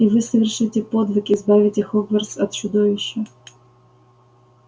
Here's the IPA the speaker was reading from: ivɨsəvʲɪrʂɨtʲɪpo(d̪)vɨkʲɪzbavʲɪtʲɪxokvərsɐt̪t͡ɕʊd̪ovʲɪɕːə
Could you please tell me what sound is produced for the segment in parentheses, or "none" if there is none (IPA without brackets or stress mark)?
d̪